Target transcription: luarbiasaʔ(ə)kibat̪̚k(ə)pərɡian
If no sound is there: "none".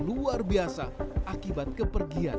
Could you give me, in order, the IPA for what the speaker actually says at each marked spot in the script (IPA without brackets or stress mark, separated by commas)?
a, ə